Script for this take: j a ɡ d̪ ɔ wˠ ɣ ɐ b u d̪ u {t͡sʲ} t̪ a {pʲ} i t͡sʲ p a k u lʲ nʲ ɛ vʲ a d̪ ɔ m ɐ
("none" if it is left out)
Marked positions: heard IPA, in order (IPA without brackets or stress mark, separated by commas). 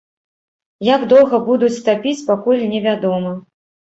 t͡sʲ, pʲ